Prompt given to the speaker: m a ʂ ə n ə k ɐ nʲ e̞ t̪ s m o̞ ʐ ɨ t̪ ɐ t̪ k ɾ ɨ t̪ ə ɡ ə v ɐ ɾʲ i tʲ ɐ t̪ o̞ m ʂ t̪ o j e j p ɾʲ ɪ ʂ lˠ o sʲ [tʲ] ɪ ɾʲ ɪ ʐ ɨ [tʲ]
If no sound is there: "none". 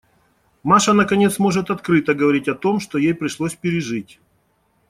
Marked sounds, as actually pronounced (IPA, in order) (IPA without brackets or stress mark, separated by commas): pʲ, tʲ